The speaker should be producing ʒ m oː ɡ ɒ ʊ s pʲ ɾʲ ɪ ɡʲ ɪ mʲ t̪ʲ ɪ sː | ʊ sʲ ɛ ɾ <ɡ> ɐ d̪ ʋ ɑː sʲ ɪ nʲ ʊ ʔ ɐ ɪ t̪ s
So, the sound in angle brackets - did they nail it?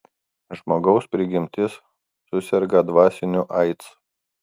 yes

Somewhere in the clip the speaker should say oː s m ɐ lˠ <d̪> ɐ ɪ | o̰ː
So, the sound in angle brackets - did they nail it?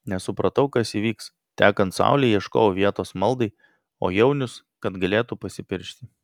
yes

